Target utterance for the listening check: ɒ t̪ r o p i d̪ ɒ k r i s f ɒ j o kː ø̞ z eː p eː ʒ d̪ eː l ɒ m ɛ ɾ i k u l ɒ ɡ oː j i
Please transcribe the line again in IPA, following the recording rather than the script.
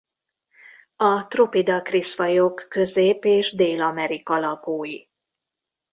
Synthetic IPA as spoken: ɒ t̪ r o p i d̪ ɒ k r i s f ɒ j o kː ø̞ z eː p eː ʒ d̪ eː l ɒ m ɛ ɾ i k ɒ l ɒ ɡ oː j i